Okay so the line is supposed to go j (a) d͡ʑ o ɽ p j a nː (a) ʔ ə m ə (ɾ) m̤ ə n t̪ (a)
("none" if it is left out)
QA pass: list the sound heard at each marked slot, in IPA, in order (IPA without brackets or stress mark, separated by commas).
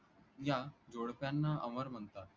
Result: a, a, ɾ, a